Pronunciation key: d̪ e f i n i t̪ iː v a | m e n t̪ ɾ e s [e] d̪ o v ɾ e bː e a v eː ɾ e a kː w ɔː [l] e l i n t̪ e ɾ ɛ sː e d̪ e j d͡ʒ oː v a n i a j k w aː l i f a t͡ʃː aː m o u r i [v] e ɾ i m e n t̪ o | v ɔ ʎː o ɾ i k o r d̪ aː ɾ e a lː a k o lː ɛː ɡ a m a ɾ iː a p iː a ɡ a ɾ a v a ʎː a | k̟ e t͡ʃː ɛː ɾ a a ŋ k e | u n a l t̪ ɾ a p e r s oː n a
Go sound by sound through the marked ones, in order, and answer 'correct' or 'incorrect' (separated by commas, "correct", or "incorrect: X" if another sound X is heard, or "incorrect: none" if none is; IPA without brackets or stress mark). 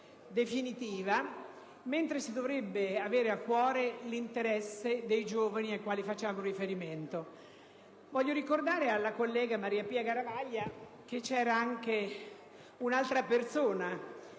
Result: incorrect: i, incorrect: ɾ, incorrect: f